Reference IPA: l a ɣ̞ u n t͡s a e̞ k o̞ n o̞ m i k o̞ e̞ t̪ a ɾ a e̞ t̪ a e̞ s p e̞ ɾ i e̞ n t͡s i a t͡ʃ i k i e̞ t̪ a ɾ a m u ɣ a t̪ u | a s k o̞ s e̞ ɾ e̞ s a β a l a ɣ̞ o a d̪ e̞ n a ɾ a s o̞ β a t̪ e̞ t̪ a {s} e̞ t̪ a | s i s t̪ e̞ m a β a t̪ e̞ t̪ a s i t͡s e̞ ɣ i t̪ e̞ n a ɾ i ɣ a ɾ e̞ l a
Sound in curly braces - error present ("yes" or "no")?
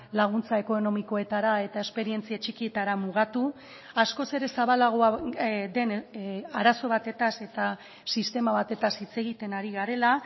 no